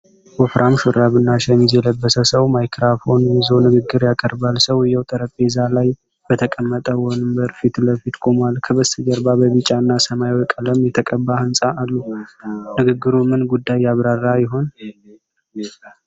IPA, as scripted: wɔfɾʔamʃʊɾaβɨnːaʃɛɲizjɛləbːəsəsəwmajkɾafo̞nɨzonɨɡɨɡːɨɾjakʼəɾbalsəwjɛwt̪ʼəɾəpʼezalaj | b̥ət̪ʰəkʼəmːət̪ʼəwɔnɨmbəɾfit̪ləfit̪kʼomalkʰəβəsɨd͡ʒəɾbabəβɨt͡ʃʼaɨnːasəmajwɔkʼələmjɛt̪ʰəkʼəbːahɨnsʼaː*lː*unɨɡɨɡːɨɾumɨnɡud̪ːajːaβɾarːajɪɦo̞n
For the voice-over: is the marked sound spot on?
yes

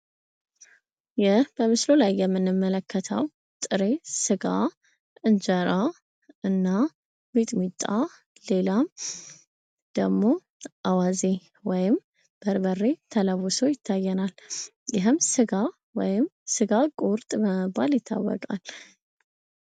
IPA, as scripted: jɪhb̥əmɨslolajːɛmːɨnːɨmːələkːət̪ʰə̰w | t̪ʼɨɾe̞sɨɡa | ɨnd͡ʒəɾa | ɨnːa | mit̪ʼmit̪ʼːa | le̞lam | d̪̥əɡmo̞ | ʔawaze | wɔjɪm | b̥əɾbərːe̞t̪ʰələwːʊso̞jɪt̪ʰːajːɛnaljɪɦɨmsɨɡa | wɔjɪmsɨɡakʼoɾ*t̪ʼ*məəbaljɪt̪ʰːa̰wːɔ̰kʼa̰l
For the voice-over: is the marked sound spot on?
yes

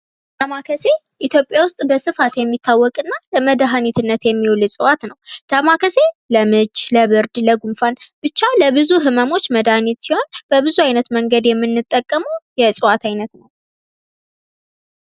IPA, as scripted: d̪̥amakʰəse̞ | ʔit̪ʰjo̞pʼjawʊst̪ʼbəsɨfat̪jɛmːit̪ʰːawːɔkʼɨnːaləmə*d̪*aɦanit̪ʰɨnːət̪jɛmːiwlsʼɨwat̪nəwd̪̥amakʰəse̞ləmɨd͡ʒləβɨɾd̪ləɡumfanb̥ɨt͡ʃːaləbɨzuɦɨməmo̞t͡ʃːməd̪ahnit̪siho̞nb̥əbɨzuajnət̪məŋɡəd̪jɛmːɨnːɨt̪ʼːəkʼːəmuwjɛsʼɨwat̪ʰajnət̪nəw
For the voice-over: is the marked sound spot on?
yes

